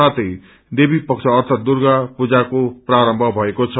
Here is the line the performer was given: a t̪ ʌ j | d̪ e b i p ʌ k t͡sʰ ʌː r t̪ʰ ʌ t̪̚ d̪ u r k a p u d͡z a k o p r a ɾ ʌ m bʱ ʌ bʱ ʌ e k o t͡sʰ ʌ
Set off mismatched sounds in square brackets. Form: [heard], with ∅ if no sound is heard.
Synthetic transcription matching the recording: a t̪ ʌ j | d̪ e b i p ʌ k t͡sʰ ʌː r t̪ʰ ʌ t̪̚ d̪ u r [ɡ] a p u d͡z a k o p r a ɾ ʌ m bʱ ʌ bʱ ʌ e k o t͡sʰ ʌ